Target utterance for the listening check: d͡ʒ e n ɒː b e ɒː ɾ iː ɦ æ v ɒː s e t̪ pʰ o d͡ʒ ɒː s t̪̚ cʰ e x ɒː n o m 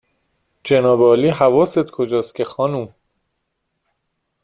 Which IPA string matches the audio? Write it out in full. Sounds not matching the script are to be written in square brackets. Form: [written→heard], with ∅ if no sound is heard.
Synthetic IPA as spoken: d͡ʒ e n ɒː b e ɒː [ɾ→l] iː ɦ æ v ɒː s e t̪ [pʰ→kʰ] o d͡ʒ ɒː s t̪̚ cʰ e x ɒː n [o→u] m